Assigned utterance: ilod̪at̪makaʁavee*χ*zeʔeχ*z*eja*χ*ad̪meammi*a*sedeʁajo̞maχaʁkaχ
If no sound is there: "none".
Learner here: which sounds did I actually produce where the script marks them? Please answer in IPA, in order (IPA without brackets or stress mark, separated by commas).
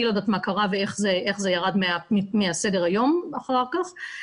χ, z, ʁ, a